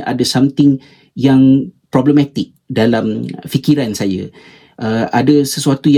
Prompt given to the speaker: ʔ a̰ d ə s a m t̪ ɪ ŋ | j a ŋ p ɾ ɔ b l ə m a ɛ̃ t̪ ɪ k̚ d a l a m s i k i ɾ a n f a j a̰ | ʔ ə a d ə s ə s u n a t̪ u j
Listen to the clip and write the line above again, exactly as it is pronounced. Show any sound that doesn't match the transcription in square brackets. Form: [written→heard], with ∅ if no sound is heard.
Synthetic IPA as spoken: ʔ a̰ d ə s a m t̪ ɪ ŋ | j a ŋ p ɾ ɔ b l ə m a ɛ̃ t̪ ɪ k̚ d a l a m [s→f] i k i ɾ a n [f→s] a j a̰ | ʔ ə a d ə s ə s u [n→∅] a t̪ u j